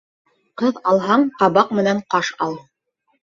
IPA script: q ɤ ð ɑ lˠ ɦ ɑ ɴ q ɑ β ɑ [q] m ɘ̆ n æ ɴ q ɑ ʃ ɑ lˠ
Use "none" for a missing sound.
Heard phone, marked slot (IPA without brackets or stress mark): q